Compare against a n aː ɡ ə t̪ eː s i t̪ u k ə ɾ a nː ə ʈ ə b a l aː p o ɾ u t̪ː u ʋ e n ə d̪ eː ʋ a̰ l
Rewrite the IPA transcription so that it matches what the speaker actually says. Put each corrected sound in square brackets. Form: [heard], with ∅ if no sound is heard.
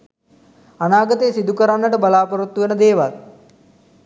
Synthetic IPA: a n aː ɡ ə t̪ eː s i [d̪] u k ə ɾ a nː ə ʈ ə b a l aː p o ɾ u t̪ː u ʋ e n ə d̪ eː ʋ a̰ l